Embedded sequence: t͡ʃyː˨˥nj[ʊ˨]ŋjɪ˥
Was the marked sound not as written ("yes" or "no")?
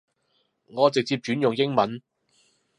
no